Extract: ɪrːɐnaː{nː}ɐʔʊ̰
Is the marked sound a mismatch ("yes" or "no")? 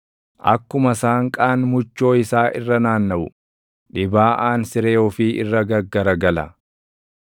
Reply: no